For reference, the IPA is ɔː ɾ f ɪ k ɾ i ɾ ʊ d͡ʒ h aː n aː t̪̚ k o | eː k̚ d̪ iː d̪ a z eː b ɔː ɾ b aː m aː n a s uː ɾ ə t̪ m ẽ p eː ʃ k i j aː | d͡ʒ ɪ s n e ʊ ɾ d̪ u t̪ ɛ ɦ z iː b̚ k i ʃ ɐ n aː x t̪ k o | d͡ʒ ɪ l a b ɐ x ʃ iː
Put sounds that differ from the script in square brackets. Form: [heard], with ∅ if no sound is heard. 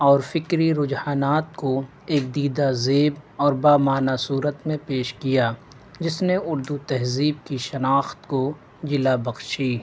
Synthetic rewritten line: ɔː ɾ f ɪ k ɾ i ɾ ʊ d͡ʒ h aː n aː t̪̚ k o | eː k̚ d̪ iː d̪ a z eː b ɔː ɾ b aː m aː n a s uː ɾ ə t̪ m ẽ p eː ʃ k i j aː | d͡ʒ ɪ s n e ʊ ɾ d̪ u t̪ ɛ ɦ z iː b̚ k i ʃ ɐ n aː x t̪ k o | d͡ʒ ɪ l a b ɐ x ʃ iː